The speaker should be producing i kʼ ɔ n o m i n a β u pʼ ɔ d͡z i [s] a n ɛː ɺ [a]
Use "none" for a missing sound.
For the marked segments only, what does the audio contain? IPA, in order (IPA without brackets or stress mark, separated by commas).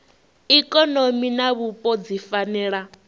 f, a